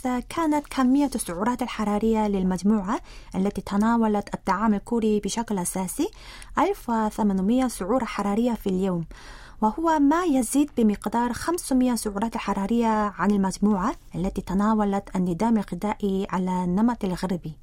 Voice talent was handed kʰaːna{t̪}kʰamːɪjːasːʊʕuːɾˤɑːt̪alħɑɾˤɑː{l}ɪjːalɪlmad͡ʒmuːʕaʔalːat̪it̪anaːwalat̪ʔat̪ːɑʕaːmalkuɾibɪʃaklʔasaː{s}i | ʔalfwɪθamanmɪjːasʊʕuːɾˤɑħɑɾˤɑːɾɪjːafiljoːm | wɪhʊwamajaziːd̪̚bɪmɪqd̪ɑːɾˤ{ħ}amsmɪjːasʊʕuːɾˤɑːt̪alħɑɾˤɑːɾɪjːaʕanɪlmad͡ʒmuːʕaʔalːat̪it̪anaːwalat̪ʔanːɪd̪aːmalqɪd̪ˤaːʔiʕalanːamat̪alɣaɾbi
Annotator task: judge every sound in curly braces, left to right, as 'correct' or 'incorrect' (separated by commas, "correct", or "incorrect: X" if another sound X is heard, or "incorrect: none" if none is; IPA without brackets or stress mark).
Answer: correct, incorrect: ɾ, correct, incorrect: x